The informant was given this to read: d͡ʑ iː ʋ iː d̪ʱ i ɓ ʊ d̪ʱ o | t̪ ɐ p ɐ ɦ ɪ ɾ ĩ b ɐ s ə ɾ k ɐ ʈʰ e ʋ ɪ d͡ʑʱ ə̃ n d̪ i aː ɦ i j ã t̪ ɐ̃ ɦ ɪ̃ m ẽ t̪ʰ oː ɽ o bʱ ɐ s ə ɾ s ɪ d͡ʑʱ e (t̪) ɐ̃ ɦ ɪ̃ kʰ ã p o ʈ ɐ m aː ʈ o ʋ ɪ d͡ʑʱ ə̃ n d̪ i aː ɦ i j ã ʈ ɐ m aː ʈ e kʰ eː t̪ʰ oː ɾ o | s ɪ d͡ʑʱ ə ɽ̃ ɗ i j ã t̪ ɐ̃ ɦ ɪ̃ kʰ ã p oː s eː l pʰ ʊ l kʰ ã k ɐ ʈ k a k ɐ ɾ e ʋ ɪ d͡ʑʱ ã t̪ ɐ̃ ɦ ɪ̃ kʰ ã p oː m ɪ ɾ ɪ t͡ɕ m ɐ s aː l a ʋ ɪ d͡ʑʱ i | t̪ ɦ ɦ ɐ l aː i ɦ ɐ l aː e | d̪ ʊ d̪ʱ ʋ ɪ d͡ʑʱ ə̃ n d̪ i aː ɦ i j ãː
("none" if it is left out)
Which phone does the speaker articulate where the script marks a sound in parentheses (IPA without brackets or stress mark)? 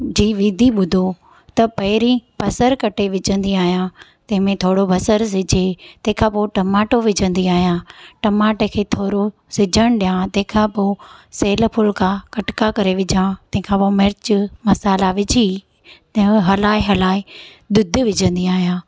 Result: t̪